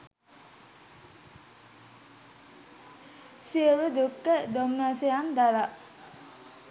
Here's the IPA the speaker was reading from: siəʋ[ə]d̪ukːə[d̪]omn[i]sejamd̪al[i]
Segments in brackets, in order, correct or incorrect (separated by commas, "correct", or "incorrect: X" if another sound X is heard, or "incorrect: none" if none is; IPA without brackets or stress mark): correct, correct, incorrect: a, incorrect: a